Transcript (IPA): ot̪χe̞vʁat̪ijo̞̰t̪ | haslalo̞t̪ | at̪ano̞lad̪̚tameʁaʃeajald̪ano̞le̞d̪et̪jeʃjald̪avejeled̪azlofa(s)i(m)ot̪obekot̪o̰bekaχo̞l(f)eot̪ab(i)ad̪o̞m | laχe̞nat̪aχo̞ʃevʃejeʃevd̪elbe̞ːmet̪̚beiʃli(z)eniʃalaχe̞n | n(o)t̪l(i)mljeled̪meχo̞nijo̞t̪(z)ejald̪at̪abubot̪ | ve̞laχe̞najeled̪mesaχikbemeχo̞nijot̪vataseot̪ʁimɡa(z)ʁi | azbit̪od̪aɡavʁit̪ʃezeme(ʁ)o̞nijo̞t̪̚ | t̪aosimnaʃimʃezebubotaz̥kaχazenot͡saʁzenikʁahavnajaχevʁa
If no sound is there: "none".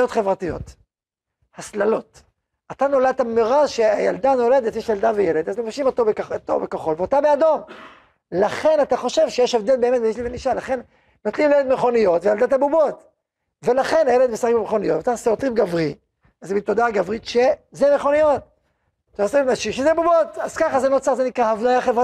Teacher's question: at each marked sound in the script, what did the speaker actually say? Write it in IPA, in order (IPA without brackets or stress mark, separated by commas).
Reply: ʃ, m, v, e, v, o, i, v, v, χ